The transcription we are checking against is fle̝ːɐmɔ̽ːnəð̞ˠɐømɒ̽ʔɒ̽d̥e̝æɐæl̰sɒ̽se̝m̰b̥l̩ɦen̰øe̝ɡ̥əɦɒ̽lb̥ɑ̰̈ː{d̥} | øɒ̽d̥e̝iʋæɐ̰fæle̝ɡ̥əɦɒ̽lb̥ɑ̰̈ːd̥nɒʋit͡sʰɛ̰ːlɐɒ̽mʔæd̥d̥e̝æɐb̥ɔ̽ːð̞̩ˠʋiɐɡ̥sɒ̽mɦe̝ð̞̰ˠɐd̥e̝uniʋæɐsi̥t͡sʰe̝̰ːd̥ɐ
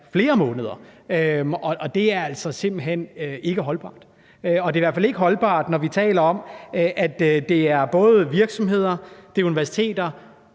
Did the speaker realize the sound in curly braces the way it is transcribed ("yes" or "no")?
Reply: yes